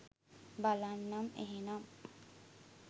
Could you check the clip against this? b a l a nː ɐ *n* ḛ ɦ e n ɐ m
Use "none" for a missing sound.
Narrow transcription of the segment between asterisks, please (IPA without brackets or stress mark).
m